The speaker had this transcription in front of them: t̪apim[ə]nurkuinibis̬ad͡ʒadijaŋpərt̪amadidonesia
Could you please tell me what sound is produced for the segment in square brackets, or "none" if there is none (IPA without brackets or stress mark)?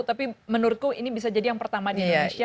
ə